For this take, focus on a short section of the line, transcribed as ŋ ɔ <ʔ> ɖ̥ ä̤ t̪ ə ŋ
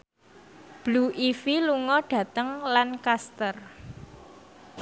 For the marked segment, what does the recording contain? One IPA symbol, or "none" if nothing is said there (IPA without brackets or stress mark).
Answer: none